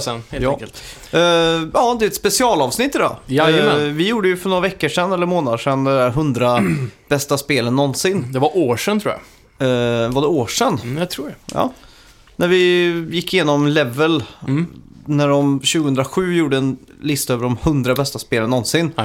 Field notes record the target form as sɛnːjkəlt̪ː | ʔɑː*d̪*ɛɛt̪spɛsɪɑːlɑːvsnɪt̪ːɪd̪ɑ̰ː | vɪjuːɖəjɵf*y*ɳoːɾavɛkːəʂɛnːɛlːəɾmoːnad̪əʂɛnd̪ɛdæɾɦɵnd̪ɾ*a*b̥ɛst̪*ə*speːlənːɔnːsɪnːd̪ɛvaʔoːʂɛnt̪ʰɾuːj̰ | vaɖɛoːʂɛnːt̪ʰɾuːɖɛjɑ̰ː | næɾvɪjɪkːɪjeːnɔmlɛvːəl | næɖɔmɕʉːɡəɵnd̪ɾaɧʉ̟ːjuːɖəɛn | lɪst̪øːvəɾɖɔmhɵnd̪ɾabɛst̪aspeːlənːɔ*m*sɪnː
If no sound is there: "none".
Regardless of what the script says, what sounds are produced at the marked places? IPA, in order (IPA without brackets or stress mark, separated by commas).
d̪, œ, a, a, n